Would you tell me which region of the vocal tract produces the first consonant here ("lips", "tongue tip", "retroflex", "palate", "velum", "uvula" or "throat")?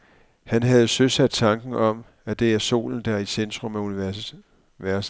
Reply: throat